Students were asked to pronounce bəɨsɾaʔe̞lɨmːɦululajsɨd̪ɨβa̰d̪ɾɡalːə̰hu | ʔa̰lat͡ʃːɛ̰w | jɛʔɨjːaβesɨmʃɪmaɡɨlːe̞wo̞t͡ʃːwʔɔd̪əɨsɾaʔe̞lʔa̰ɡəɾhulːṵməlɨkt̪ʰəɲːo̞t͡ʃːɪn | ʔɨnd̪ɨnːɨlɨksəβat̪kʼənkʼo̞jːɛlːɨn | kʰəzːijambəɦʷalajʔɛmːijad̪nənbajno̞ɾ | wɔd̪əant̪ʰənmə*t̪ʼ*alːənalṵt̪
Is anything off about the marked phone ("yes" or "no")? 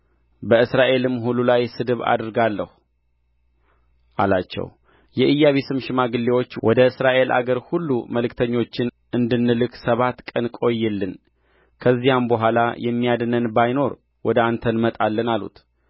no